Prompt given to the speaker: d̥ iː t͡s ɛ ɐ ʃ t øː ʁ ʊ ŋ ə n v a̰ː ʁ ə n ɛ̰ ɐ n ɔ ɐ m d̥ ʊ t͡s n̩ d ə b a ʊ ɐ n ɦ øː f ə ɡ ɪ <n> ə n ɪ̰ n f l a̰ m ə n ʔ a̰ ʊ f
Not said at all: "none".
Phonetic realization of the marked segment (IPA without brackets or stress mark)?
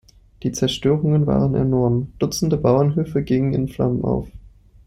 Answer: ŋ